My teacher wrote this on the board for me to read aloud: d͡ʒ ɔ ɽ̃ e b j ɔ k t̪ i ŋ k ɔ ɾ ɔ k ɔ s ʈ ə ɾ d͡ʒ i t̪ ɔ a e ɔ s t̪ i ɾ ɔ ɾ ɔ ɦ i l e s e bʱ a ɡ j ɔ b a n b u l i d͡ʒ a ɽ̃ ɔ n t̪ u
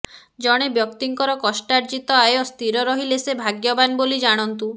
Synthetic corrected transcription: d͡ʒ ɔ ɽ̃ e b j ɔ k t̪ i ŋ k ɔ ɾ ɔ k ɔ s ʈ a ɾ d͡ʒ i t̪ ɔ a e ɔ s t̪ i ɾ ɔ ɾ ɔ ɦ i l e s e bʱ a ɡ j ɔ b a n b o l i d͡ʒ a ɽ̃ ɔ n t̪ u